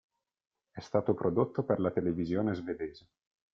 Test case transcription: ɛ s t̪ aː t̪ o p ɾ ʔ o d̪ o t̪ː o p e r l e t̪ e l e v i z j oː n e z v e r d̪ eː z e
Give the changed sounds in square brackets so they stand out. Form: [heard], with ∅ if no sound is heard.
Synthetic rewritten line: ɛ s t̪ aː t̪ o p ɾ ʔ o d̪ o t̪ː o p e r l [a] t̪ e l e v i z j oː n e z v e [∅] d̪ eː z e